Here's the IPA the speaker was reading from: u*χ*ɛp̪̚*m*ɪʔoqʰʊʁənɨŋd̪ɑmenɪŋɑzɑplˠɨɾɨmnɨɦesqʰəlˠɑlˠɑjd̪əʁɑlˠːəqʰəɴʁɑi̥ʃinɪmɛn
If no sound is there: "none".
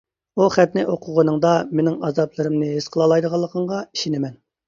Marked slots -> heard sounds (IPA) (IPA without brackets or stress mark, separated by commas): χ, n